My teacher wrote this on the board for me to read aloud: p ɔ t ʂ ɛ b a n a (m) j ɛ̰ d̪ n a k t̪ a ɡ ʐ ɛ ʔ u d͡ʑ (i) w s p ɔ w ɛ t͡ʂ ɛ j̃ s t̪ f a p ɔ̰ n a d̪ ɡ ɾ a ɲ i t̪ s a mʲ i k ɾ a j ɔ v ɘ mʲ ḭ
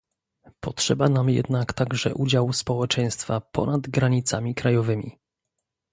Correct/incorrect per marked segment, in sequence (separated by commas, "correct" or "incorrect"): correct, incorrect